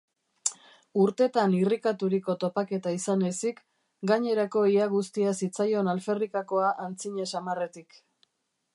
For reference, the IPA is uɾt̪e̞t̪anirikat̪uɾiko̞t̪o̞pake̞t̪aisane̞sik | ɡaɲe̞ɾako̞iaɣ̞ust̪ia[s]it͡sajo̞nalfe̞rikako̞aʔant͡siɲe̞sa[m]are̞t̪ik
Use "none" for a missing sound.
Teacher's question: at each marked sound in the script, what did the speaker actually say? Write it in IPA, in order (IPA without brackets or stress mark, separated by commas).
s, m